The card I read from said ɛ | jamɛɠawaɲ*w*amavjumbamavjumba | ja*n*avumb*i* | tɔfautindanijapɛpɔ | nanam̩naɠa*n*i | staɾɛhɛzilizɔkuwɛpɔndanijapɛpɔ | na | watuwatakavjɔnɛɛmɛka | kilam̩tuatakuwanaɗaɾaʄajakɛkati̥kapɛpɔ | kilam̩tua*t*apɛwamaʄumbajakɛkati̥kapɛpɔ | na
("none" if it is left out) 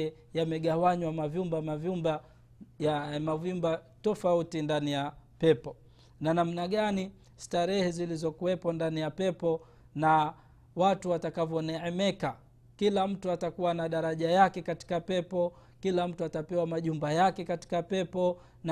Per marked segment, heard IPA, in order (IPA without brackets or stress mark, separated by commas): w, m, a, n, t